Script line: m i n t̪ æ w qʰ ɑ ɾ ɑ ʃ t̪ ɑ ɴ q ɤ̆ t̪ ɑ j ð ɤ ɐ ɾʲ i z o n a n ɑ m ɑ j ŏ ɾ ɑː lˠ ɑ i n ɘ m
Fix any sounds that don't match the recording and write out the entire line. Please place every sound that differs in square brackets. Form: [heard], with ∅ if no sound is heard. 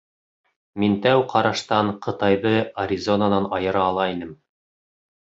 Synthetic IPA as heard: m i n t̪ æ w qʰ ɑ ɾ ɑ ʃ t̪ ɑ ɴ q ɤ̆ t̪ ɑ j ð ɤ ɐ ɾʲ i z o n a n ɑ [n] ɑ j [ɤ̆] ɾ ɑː lˠ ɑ i n ɘ m